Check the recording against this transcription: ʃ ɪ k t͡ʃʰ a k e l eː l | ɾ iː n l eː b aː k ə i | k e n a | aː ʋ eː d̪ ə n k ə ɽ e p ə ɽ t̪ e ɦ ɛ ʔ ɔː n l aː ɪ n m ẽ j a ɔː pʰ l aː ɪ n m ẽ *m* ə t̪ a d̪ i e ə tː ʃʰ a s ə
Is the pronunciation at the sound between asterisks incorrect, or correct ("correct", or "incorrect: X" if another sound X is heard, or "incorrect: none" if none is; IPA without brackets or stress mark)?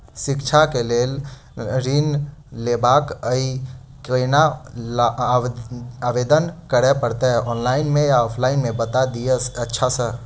incorrect: b